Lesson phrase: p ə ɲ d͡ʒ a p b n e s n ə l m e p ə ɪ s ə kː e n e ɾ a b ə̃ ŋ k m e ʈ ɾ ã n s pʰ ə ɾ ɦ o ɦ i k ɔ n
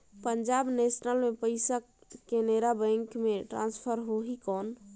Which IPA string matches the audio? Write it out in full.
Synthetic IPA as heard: p ə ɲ d͡ʒ a b n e s n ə l m e p ə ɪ s ə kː e n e ɾ a b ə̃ ŋ k m e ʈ ɾ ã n s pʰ ə ɾ ɦ o ɦ i k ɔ n